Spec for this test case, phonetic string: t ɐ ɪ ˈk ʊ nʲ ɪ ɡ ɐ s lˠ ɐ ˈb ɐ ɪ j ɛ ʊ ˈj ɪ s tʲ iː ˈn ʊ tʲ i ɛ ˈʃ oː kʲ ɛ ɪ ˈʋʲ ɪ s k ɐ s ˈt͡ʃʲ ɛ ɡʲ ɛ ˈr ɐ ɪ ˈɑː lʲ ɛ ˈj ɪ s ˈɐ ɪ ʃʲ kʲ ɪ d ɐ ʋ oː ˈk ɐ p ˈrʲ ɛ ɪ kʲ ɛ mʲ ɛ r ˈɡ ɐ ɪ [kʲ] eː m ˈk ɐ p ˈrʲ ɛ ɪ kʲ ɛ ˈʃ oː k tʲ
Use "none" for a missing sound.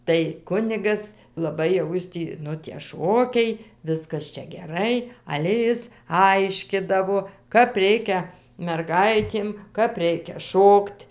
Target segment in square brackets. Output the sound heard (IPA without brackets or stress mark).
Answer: tʲ